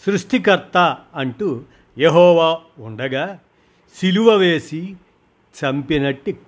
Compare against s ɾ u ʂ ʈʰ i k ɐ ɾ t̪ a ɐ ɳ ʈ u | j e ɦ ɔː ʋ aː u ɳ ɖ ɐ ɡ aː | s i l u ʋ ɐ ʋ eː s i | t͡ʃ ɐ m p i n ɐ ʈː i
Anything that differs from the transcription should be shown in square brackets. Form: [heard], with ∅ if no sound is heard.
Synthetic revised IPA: s ɾ u ʂ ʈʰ i k ɐ ɾ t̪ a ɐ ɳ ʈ u | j e ɦ ɔː ʋ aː u ɳ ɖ ɐ ɡ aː | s i l u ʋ ɐ ʋ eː s i | t͡ʃ ɐ m p i n ɐ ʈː i